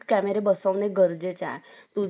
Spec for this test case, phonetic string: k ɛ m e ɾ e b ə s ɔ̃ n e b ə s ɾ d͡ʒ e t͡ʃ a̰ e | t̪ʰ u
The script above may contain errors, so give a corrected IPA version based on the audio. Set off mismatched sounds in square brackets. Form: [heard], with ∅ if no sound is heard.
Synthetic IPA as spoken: k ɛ m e ɾ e b ə s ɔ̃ n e [ɡ] ə [∅] ɾ d͡ʒ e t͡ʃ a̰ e | [t̪] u